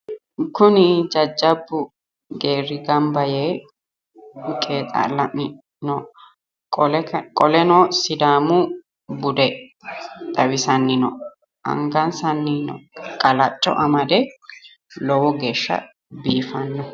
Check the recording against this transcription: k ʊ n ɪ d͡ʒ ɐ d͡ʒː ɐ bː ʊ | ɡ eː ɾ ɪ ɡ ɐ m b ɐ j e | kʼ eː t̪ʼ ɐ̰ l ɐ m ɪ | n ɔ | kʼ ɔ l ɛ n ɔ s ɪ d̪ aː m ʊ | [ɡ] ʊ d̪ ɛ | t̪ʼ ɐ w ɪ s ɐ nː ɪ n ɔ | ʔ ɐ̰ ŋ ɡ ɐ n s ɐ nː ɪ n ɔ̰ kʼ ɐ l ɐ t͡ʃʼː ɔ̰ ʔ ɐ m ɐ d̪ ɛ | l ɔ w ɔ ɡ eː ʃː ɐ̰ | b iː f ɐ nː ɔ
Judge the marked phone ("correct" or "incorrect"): incorrect